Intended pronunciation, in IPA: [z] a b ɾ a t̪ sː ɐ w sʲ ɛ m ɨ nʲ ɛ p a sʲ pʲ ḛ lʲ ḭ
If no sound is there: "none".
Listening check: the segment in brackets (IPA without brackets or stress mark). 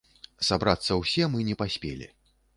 s